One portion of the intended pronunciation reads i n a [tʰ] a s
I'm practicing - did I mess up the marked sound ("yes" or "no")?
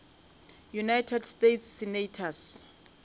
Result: no